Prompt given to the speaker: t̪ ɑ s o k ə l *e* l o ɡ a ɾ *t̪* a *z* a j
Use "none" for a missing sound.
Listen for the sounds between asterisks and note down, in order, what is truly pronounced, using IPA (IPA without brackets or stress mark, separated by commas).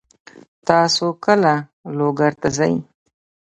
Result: a, t̪, z